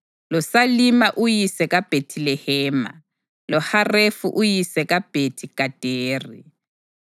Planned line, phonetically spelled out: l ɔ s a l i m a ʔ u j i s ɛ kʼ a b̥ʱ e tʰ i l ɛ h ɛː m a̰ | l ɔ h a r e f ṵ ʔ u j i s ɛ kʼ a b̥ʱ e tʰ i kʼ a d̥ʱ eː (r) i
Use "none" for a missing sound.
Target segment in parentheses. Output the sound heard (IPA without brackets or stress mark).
r